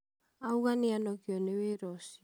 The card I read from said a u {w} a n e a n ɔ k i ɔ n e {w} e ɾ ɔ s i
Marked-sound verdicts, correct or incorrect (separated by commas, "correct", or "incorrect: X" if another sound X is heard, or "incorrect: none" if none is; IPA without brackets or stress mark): incorrect: ɣ, correct